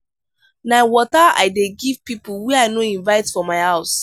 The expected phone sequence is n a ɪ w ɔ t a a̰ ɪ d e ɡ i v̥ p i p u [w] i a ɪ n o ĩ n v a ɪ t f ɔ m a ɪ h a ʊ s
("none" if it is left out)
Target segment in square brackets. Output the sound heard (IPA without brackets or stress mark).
w